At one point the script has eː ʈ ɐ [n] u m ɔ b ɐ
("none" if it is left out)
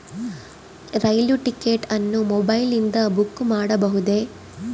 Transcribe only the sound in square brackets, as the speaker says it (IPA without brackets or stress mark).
nː